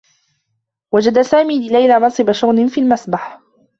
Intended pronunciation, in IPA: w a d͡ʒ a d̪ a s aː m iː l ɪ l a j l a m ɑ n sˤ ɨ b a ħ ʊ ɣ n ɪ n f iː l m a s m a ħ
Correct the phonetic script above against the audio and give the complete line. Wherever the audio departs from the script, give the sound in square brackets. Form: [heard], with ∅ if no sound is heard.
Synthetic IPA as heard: w a d͡ʒ a d̪ a s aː m iː l ɪ l a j l a m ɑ n sˤ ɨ b a [ʃ] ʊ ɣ n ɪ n f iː l m a s [b] a ħ